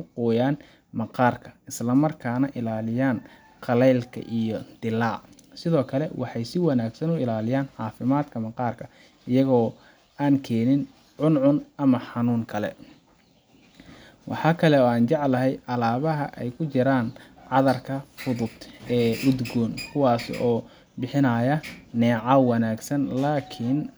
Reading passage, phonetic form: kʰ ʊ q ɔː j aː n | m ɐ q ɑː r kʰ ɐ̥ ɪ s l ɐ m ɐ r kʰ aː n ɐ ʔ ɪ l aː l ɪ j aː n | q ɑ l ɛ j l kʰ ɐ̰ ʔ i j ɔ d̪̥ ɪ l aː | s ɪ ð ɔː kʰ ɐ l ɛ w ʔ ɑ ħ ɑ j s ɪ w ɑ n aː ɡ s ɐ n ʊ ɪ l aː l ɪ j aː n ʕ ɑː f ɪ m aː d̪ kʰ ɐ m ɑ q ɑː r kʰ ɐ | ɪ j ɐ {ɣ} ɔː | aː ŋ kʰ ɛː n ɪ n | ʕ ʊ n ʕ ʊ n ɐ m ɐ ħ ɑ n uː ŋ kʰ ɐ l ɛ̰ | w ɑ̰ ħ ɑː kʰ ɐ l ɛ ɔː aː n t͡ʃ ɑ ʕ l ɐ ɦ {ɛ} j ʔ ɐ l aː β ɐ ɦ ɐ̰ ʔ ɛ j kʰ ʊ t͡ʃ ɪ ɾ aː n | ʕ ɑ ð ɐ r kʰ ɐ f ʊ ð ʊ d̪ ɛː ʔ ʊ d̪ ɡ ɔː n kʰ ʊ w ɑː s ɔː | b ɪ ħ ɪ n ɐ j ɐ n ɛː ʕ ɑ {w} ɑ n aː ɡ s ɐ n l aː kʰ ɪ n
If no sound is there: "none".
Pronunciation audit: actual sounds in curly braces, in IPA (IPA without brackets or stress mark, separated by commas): ɣ, ɛ, w